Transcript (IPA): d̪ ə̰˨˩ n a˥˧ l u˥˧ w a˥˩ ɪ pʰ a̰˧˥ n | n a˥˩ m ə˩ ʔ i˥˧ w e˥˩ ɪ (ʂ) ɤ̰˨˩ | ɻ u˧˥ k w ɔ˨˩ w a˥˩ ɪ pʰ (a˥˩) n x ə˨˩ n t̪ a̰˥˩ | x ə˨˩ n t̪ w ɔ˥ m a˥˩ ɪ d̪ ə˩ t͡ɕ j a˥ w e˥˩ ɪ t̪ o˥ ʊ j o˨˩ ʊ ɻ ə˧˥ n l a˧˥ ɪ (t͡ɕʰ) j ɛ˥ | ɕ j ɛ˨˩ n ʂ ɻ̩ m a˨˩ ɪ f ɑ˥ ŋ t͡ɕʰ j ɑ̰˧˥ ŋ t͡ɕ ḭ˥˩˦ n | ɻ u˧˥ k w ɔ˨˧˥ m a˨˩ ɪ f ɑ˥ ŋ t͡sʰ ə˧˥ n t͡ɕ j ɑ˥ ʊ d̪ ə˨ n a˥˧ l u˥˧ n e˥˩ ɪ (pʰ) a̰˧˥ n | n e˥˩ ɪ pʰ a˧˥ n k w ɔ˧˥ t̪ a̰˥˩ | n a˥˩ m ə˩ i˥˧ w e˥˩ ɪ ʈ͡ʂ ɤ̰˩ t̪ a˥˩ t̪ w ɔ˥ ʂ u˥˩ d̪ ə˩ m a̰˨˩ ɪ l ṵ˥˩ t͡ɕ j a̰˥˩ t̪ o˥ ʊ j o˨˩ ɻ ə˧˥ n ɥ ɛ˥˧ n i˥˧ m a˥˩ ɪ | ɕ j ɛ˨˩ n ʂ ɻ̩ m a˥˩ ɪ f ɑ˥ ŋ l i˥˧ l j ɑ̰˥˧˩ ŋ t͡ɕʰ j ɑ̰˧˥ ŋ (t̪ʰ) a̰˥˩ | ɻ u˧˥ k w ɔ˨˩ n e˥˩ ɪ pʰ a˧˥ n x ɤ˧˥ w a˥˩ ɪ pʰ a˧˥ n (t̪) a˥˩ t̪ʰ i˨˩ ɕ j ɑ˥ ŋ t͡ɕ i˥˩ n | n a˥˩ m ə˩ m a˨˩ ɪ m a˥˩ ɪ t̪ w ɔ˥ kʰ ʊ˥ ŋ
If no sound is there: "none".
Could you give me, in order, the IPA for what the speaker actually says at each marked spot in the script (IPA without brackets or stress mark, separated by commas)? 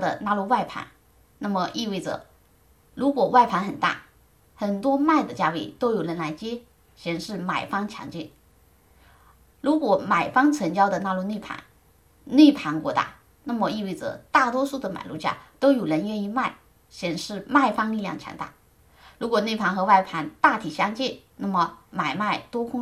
ʈ͡ʂ, a˧˥, t͡ɕ, pʰ, t̪, t̪